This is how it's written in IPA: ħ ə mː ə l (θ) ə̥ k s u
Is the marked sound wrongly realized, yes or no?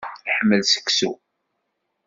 yes